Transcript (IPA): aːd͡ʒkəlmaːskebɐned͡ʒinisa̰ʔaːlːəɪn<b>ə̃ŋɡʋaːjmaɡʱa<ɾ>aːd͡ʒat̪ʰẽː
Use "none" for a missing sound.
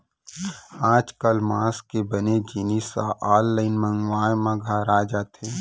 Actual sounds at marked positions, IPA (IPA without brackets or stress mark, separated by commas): m, ɾ